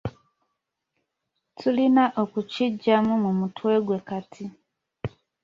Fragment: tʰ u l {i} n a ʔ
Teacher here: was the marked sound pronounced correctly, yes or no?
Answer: yes